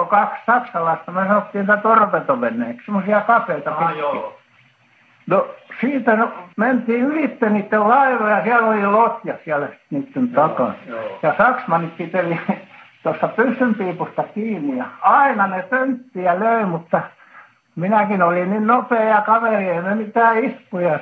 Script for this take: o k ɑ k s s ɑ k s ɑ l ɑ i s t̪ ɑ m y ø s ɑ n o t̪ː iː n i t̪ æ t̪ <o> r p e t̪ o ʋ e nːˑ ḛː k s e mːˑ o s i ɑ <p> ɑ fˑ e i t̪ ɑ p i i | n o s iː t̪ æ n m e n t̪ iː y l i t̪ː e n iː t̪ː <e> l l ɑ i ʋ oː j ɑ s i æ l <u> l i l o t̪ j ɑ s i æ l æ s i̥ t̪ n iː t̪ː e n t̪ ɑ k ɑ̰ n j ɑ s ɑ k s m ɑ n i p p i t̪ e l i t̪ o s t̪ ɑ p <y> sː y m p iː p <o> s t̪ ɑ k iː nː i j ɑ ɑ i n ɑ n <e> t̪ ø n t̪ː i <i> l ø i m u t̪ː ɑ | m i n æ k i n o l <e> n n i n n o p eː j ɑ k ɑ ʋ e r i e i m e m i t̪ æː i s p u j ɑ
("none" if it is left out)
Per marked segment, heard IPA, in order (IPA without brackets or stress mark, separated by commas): o, k, e, o, y, u, e, æ, i